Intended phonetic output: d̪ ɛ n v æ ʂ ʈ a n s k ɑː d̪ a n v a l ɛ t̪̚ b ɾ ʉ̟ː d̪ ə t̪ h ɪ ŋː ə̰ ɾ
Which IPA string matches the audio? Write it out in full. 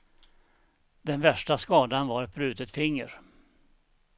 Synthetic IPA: d̪ ɛ n v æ ʂ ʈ a s k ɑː d̪ a n v a ɾ ɛ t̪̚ b ɾ ʉ̟ː t̪ ə t̪ f ɪ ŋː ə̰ ɾ